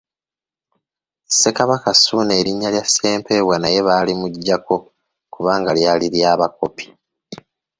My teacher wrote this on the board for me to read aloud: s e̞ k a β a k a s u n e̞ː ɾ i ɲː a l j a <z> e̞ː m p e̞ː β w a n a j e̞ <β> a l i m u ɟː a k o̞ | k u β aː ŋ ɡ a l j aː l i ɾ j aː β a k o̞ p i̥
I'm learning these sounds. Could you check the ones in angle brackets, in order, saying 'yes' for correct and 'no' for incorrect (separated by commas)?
no, yes